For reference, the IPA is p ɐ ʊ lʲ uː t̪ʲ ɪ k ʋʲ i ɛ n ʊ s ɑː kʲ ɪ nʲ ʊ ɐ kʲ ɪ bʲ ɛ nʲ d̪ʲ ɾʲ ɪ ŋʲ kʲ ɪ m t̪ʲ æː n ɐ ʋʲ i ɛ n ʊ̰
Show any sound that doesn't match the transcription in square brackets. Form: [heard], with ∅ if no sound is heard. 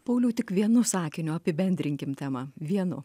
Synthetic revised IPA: p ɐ ʊ lʲ uː t̪ʲ ɪ k ʋʲ i ɛ n ʊ s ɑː kʲ ɪ nʲ ʊ ɐ [pʲ] ɪ bʲ ɛ nʲ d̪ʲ ɾʲ ɪ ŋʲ kʲ ɪ m t̪ʲ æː [m] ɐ ʋʲ i ɛ n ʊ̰